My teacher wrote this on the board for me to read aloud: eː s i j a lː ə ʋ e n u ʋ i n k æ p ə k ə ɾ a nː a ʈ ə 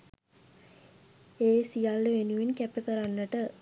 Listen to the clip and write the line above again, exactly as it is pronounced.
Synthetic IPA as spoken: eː s i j a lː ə ʋ e n u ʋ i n k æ p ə k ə ɾ a nː ə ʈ ə